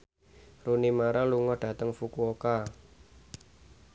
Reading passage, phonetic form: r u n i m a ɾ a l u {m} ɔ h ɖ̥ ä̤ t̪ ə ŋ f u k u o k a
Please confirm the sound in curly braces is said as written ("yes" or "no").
no